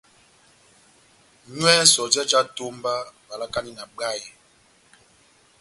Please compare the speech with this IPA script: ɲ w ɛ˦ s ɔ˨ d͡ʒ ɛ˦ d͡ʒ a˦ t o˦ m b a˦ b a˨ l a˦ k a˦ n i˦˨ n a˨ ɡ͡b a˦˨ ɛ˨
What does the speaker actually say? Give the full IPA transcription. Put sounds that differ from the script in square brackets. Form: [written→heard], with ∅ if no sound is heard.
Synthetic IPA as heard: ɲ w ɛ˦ s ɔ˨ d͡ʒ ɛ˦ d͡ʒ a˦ t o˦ m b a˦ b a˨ l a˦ k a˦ n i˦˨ n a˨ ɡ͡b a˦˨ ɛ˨